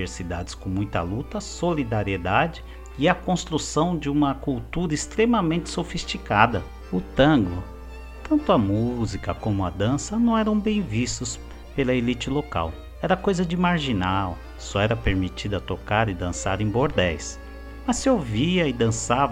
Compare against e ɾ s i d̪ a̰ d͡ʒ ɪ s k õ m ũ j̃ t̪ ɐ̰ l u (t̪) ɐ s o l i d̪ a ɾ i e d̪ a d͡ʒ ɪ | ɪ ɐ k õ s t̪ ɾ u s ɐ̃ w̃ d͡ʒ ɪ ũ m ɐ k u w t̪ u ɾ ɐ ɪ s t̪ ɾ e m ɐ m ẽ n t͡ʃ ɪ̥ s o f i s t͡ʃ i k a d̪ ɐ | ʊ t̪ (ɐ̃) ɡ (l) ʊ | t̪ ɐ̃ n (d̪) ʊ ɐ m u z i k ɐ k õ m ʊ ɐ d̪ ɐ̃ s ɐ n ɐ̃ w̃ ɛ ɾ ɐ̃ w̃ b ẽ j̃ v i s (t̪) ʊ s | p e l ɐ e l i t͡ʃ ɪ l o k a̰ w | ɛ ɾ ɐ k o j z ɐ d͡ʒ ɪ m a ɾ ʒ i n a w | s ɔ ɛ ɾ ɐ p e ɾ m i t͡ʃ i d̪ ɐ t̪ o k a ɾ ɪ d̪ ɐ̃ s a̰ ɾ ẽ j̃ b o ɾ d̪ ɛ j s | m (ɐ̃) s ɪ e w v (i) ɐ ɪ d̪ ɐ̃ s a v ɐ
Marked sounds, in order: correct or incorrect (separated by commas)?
correct, correct, correct, incorrect, correct, incorrect, correct